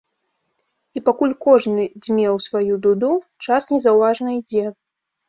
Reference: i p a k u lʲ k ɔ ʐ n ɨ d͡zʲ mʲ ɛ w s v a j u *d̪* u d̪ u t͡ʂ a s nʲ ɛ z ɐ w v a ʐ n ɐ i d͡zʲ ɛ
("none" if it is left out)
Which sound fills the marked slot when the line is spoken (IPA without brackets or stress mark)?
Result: d̪